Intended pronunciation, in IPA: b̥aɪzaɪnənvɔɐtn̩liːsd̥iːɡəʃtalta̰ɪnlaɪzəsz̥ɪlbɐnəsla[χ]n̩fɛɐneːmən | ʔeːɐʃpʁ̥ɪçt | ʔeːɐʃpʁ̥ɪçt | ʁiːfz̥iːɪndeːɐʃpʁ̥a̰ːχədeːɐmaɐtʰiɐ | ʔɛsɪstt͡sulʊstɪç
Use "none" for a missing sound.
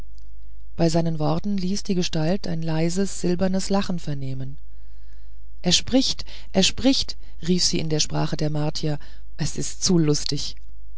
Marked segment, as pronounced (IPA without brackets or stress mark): χ